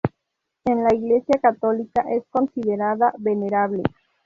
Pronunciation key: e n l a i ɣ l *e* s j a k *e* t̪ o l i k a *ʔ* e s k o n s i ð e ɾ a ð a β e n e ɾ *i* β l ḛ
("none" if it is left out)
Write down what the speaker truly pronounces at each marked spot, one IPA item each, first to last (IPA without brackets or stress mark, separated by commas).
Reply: e, a, ʔ, a